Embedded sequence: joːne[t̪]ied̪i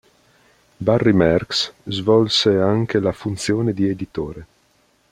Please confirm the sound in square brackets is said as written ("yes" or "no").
no